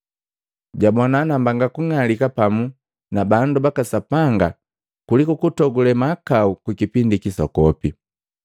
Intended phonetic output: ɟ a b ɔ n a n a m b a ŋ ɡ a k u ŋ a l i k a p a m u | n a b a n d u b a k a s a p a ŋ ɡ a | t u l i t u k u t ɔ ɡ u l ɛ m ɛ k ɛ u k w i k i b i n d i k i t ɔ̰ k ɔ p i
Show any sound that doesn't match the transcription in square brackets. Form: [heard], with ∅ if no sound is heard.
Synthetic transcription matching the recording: ɟ a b ɔ n a n a m b a ŋ ɡ a k u ŋ a l i k a p a m u | n a b a n d u b a k a s a p a ŋ ɡ a | [k] u l i [k] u k u t ɔ ɡ u l ɛ m [a] k [a] u k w i k i [p] i n d i k i [s] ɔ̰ k ɔ p i